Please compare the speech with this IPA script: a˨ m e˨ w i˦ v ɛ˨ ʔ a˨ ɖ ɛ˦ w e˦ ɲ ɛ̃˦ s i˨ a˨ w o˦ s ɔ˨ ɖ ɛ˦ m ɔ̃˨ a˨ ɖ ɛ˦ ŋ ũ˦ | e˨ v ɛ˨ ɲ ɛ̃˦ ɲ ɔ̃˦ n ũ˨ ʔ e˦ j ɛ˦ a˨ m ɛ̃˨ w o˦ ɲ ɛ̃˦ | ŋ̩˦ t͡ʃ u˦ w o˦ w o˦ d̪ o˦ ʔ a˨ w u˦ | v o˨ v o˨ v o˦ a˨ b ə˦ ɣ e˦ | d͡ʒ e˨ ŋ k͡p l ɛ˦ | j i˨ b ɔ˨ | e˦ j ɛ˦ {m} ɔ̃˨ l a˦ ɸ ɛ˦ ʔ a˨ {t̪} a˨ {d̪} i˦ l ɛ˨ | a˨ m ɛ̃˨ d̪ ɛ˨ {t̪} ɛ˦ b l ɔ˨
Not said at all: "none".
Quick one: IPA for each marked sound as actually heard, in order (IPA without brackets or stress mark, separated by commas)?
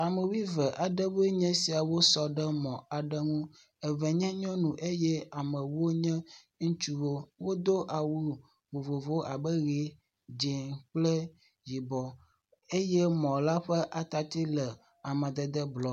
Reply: m, t̪, t̪, d̪